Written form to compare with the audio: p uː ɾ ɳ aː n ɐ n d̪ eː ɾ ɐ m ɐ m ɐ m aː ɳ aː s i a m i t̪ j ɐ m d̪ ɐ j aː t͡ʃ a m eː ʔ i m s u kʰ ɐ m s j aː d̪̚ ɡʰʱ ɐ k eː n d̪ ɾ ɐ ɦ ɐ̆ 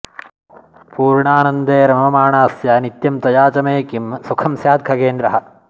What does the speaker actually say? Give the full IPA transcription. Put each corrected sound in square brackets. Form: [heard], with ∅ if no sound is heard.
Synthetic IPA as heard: p uː ɾ ɳ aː n ɐ n d̪ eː ɾ ɐ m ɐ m ɐ m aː ɳ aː s [j] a [n] i t̪ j ɐ m [t̪] ɐ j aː t͡ʃ [ɐ] m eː [k] i m s u kʰ ɐ m s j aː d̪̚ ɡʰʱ ɐ k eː n d̪ ɾ ɐ ɦ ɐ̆